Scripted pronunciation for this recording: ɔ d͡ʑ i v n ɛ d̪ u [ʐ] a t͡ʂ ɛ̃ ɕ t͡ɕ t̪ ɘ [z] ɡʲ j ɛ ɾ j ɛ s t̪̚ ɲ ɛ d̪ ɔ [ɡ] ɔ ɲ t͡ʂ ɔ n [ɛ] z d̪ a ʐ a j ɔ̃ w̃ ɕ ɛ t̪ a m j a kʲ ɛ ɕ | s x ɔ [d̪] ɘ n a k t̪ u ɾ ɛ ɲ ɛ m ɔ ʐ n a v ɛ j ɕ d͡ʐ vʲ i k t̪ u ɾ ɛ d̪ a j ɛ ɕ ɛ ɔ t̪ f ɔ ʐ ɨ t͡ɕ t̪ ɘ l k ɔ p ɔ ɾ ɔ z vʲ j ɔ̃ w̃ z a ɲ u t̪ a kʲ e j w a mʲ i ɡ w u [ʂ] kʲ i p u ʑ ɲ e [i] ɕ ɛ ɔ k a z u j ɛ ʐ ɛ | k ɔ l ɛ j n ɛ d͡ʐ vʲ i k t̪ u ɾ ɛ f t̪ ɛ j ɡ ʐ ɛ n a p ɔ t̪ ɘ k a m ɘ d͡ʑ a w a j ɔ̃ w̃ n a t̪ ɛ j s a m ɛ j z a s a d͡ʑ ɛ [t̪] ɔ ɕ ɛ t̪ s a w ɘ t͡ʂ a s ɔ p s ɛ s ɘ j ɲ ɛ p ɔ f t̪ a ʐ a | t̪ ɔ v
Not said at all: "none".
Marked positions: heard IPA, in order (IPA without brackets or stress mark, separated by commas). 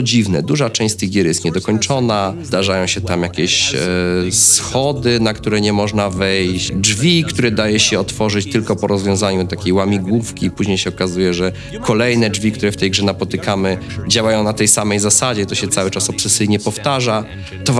ʐ, ɣ, k, a, d̪, f, j, t̪